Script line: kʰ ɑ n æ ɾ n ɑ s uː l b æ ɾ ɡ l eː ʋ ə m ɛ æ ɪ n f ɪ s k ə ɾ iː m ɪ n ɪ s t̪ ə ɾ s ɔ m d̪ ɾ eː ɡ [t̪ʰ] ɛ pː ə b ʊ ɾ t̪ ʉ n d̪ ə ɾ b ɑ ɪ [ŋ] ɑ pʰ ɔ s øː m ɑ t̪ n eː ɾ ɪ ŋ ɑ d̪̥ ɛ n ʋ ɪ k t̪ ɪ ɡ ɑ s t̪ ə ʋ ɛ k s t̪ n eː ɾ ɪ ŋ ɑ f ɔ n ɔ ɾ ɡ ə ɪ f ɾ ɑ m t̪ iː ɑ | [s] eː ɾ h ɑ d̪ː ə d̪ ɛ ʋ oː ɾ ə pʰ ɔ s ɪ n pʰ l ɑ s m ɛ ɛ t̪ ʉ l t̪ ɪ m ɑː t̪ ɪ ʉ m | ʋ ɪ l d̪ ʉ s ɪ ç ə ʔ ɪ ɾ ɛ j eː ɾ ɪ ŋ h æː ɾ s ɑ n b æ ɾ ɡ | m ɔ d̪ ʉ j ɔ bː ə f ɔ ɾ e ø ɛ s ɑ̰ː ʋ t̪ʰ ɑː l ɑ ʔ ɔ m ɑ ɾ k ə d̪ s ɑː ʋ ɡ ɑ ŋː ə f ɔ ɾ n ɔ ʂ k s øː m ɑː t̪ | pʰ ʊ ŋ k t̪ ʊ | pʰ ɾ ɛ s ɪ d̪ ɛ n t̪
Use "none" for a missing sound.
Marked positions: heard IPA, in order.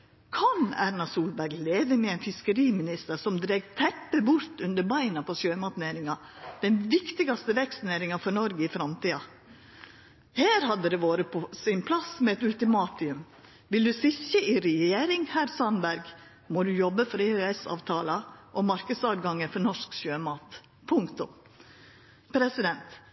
t̪ʰ, n, h

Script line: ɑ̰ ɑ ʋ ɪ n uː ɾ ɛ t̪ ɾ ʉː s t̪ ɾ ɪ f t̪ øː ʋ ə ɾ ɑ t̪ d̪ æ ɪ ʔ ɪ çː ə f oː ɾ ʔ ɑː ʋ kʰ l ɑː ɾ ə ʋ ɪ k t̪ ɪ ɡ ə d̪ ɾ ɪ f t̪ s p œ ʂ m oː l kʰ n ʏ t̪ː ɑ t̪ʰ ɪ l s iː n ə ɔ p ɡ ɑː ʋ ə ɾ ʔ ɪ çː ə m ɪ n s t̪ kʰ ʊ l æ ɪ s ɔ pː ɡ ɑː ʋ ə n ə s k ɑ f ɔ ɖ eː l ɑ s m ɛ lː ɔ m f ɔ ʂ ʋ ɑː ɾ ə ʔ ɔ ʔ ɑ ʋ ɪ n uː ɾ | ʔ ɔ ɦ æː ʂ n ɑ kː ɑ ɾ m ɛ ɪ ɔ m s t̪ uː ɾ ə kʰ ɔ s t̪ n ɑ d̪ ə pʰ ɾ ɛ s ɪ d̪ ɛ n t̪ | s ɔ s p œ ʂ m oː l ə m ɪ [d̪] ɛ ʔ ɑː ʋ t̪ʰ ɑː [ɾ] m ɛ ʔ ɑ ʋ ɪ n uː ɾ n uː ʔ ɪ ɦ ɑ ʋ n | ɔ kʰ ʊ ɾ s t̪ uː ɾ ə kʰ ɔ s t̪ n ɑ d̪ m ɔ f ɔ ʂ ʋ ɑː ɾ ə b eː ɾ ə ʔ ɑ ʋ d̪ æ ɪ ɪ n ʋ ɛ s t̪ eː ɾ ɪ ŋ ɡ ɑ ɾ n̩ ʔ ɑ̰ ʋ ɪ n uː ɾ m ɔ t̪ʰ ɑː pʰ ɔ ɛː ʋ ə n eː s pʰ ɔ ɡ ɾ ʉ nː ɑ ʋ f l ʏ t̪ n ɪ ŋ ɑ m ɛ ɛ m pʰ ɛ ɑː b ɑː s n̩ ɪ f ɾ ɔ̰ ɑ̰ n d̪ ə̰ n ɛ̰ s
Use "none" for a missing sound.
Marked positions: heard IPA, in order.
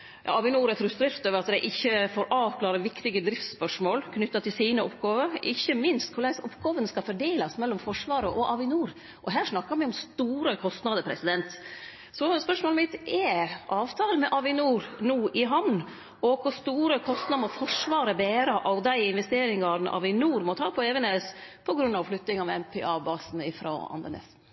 t̪, l

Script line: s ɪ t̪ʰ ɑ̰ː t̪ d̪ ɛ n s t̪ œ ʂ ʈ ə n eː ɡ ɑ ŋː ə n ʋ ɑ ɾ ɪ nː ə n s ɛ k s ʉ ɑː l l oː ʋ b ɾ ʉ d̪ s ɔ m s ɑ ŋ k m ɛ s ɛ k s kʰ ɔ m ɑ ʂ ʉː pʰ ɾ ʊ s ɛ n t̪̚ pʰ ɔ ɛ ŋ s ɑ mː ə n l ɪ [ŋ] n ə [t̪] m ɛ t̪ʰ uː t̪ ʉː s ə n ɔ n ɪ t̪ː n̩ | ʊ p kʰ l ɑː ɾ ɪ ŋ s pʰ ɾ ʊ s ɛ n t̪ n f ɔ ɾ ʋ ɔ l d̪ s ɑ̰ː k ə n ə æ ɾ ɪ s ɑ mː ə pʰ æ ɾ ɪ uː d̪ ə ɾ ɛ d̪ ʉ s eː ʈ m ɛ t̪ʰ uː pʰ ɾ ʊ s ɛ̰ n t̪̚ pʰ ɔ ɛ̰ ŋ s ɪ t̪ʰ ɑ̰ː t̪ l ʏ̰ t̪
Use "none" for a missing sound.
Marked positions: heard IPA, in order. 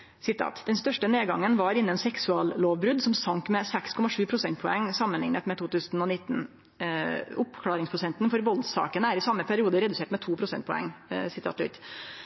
ŋ, t̪

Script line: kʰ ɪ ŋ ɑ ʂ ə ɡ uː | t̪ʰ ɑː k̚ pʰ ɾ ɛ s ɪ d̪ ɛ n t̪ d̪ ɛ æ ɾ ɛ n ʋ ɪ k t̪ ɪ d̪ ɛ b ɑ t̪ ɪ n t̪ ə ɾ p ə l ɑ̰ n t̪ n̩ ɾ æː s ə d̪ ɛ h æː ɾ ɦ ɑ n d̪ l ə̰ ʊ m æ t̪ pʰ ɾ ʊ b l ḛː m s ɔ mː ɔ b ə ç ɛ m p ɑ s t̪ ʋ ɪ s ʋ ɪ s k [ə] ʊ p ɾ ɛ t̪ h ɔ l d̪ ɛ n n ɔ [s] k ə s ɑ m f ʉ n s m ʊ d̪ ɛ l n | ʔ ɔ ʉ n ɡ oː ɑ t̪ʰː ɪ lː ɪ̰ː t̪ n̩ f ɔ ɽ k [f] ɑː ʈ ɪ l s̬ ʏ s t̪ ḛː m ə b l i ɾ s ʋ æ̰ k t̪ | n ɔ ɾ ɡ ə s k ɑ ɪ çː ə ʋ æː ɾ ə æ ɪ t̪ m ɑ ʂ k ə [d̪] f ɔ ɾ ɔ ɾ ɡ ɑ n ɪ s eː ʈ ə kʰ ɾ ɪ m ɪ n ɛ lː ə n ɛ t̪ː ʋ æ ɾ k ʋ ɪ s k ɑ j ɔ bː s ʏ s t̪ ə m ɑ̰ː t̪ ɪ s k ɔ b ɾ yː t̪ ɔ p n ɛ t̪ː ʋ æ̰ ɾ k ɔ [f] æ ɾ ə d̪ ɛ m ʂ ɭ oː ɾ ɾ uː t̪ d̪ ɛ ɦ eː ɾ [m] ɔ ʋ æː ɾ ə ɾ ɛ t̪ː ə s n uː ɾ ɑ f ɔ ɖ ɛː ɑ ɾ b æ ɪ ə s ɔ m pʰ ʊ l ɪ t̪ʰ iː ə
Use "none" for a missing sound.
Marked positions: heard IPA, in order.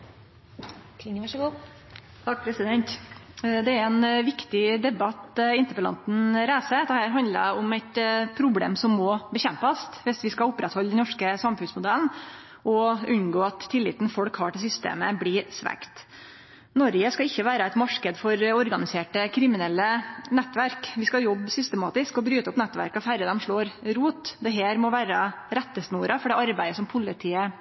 ɑ, ʂ, h, d̪, f, m

